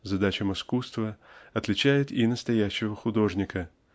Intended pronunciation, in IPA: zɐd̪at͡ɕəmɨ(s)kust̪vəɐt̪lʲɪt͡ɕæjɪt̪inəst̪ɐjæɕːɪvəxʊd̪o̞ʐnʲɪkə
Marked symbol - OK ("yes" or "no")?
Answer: yes